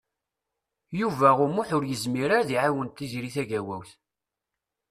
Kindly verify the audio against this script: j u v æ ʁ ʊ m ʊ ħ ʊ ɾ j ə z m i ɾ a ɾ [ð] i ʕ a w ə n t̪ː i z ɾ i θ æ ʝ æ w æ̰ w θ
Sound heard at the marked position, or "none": ð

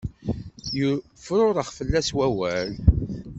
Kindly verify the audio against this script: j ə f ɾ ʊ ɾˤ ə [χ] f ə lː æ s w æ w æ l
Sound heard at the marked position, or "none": χ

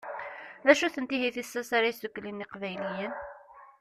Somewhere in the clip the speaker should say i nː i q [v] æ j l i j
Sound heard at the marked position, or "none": v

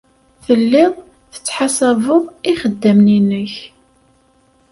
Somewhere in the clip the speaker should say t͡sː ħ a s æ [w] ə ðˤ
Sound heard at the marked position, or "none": v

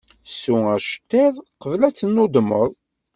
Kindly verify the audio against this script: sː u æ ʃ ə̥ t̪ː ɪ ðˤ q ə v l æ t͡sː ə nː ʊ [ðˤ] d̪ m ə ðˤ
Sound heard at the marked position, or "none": none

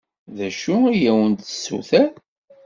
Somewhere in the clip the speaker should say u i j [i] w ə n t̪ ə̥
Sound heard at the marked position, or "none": æ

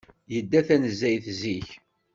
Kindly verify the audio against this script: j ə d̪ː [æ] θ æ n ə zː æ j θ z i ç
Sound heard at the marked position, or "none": æ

